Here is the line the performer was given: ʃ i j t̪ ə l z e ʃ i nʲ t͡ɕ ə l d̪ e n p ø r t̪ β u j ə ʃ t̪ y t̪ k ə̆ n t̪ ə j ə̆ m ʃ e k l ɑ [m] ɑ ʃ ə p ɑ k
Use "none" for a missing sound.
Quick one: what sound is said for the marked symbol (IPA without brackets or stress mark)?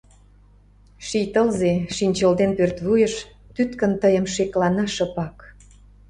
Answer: n